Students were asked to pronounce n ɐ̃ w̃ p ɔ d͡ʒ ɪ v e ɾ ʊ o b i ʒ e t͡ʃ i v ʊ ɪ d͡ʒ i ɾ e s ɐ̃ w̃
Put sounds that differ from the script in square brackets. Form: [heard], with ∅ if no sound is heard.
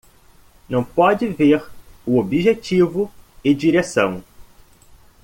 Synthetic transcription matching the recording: n ɐ̃ w̃ p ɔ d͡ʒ ɪ v e ɾ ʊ o b i ʒ e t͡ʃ i v ʊ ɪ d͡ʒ i ɾ e s ɐ̃ w̃

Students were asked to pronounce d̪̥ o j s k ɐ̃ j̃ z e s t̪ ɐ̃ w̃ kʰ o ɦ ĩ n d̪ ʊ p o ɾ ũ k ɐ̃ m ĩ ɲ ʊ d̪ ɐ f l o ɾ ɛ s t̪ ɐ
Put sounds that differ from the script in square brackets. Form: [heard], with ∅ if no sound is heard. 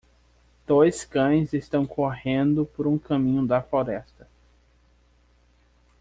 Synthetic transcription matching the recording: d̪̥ o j s k ɐ̃ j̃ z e s t̪ ɐ̃ w̃ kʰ o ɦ [ẽ] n d̪ ʊ p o ɾ ũ k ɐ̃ m ĩ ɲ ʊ d̪ ɐ f l o ɾ ɛ s t̪ ɐ

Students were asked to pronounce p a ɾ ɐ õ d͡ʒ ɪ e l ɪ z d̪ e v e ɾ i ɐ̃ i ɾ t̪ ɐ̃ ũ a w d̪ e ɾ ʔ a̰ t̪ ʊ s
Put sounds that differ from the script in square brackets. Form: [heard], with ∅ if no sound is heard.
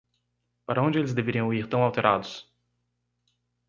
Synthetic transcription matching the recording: p a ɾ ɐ õ d͡ʒ ɪ e l ɪ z d̪ e v e ɾ i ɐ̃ i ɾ t̪ ɐ̃ [w̃] a w [t̪] e ɾ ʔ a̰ [d̪] ʊ s

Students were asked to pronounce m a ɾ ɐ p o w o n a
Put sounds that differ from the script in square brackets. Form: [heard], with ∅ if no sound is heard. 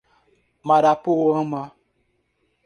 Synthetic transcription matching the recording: m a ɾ [a] p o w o [m] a

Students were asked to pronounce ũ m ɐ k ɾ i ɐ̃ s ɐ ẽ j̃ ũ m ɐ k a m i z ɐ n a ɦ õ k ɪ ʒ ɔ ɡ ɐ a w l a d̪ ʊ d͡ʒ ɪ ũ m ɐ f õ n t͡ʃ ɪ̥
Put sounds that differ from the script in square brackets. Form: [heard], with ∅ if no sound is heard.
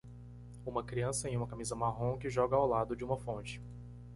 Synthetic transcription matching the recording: ũ m ɐ k ɾ i ɐ̃ s ɐ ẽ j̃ ũ m ɐ k a m i z ɐ [m] a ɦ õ k ɪ ʒ ɔ ɡ ɐ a w l a d̪ ʊ d͡ʒ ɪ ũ m ɐ f õ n t͡ʃ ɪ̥

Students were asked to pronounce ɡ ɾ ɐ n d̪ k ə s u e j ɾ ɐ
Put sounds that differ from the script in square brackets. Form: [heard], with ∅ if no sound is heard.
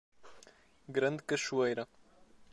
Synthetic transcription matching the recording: ɡ ɾ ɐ n d̪ k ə [ʃ] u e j ɾ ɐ

